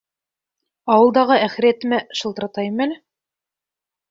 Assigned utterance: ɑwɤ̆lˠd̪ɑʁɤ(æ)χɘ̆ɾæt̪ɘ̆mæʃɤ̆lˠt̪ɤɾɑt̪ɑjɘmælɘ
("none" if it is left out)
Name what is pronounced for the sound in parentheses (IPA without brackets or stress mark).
æ